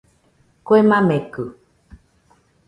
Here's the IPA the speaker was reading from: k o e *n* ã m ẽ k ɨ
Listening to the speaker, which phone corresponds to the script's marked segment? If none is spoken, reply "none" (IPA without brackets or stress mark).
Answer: m